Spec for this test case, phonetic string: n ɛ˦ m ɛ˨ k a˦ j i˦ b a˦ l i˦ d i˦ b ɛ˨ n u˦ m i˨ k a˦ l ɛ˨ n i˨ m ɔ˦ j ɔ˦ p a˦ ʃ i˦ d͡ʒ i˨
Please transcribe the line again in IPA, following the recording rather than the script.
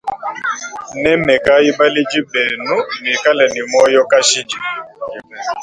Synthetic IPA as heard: n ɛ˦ m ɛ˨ k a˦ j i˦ b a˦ l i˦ d͡ʒ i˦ b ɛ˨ n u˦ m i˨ k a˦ l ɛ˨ n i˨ m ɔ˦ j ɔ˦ k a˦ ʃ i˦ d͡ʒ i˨